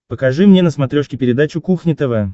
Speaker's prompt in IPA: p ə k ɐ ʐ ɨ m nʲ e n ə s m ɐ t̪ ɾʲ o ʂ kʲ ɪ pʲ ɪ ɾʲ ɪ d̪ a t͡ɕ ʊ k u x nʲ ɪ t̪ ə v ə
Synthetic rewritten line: p ə k ɐ ʐ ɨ m nʲ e n ə s m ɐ t̪ ɾʲ o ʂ kʲ ɪ pʲ ɪ ɾʲ ɪ d̪ a t͡ɕ ʊ k u x nʲ ɪ t̪ ə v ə